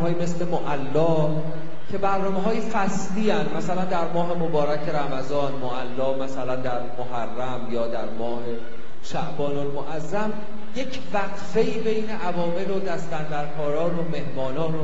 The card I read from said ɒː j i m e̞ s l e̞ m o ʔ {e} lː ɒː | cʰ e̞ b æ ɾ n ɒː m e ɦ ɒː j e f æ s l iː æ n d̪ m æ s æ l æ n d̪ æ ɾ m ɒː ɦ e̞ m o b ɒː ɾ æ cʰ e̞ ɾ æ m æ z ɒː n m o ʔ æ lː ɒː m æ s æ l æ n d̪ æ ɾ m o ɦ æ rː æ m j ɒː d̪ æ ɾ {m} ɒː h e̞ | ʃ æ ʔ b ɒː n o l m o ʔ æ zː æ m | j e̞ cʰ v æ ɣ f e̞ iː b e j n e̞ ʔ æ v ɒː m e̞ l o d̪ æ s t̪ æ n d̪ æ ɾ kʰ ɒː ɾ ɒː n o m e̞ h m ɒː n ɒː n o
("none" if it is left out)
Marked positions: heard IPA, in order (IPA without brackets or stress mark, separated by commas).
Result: æ, m